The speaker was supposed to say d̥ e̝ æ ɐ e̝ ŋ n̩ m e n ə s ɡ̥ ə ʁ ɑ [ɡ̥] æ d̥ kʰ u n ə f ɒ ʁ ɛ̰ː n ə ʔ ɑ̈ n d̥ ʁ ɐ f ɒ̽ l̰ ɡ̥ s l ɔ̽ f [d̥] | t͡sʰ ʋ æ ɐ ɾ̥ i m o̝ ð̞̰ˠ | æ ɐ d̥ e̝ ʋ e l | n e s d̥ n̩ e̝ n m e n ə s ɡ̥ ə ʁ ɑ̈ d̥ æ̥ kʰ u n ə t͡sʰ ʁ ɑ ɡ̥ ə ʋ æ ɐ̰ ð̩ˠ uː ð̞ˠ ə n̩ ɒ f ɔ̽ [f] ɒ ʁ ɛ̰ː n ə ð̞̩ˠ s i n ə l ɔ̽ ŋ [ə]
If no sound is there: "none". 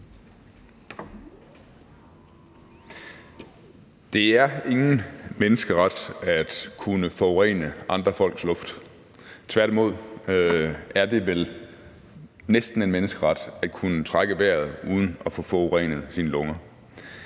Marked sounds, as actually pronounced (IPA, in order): d̥, d̥, f, ɐ

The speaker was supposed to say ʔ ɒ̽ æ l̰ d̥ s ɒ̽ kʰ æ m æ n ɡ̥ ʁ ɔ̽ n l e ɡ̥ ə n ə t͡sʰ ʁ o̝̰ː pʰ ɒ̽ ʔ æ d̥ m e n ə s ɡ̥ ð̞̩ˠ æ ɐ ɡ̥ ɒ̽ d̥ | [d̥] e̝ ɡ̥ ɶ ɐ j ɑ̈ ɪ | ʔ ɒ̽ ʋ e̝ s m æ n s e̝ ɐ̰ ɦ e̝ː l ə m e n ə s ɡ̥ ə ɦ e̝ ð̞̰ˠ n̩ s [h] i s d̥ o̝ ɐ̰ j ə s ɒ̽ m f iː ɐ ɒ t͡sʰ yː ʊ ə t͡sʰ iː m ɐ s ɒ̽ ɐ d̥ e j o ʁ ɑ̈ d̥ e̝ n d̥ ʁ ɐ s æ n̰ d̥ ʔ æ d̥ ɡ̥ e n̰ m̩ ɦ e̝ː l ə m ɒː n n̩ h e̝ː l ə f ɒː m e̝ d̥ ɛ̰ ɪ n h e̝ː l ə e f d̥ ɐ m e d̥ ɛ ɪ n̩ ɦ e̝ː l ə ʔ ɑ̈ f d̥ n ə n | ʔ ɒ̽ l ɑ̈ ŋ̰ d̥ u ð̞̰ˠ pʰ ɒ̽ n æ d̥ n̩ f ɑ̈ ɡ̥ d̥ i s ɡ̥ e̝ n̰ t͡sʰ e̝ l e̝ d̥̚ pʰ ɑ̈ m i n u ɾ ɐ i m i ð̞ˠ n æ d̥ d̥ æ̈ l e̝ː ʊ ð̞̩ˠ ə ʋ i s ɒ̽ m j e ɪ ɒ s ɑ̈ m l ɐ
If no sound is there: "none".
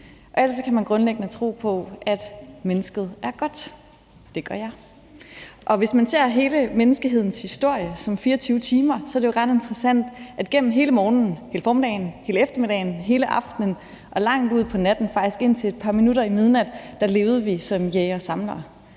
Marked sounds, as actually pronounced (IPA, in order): d̥, h

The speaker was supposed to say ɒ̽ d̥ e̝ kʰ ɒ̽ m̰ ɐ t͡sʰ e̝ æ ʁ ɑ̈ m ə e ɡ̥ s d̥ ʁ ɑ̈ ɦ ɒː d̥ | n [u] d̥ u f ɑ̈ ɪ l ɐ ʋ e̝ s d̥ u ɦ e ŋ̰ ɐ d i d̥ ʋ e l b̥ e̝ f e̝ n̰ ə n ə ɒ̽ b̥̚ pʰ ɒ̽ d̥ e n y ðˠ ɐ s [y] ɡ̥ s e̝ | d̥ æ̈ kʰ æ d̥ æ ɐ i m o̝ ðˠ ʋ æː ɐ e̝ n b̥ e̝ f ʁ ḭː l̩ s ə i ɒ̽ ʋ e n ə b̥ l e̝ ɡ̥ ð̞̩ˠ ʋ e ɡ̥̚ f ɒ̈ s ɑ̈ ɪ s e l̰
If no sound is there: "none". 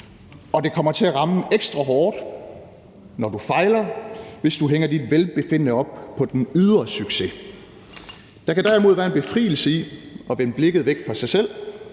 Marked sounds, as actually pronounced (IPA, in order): ɒ, y

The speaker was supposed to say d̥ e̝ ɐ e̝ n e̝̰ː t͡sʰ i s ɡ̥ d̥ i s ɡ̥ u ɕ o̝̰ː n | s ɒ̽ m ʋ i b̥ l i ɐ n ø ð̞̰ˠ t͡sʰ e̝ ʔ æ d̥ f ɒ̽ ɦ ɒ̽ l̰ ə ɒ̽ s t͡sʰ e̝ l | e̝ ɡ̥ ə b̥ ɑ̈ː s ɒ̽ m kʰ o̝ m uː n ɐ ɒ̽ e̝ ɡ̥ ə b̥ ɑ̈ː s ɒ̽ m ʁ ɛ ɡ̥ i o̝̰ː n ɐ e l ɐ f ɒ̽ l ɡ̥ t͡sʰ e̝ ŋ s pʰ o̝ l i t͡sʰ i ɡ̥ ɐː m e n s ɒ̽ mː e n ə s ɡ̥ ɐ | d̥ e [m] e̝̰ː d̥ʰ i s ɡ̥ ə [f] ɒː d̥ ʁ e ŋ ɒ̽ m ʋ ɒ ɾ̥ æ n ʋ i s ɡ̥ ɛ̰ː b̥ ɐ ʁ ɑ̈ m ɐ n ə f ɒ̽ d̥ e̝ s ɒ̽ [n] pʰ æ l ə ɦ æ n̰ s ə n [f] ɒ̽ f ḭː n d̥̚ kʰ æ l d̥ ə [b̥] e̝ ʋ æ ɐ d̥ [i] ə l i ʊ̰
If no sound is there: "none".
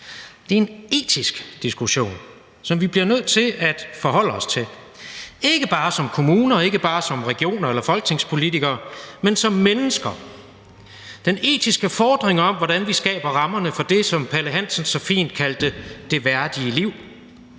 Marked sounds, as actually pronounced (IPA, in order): n, f, m, s, d̥, i

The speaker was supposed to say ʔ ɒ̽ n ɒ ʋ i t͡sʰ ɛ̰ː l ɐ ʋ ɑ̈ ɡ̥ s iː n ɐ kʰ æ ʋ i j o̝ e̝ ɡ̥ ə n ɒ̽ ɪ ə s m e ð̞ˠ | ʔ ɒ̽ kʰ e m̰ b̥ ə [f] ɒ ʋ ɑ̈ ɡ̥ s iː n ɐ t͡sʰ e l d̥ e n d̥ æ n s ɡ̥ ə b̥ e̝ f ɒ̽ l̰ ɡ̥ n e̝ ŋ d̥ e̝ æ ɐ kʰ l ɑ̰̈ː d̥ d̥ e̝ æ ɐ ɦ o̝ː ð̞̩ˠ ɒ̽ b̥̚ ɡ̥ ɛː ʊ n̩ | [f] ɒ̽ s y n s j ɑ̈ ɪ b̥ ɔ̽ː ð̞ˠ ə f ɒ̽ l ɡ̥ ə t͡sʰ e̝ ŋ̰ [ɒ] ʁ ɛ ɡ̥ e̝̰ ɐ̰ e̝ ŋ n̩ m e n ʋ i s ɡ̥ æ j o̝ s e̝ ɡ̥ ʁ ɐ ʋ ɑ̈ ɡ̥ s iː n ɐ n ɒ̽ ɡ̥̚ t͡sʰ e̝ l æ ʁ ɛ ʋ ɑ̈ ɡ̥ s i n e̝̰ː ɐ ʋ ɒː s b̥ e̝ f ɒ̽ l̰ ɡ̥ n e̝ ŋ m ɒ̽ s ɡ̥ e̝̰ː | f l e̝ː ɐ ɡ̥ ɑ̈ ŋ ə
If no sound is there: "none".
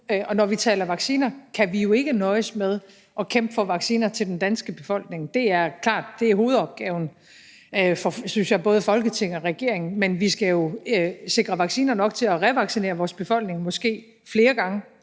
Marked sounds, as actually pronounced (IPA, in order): f, f, ɒ

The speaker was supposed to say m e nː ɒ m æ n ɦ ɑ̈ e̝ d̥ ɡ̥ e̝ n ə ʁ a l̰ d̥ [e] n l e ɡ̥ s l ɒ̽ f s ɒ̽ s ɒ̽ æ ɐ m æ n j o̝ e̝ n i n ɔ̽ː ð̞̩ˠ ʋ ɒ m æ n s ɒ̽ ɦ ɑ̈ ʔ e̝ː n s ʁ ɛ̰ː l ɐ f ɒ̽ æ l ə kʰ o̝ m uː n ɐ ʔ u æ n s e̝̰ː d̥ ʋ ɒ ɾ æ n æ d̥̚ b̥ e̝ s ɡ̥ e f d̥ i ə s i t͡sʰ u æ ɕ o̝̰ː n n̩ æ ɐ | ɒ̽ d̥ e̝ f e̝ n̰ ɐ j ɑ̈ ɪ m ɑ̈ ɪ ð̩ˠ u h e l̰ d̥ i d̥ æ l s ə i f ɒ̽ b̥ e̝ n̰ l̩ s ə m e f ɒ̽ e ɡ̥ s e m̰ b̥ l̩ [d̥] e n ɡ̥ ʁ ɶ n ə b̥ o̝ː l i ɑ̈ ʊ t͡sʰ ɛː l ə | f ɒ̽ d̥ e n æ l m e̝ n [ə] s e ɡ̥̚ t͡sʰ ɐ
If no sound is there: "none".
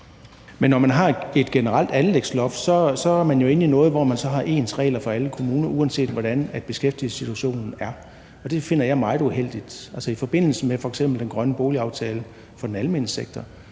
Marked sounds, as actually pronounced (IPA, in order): æ, d̥, ə

